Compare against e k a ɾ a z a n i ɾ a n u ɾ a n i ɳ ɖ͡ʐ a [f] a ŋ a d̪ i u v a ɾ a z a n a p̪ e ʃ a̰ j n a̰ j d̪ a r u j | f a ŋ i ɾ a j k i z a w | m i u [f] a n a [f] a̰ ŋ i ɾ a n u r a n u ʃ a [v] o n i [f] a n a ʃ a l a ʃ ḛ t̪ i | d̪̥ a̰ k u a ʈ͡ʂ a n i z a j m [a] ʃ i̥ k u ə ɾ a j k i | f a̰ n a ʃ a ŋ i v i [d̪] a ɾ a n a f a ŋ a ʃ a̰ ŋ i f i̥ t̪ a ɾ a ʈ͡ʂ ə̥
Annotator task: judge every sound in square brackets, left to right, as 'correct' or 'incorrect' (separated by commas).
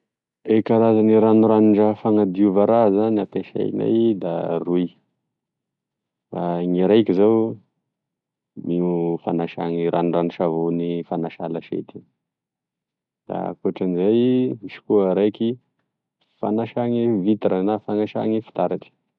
correct, correct, incorrect, correct, correct, incorrect, incorrect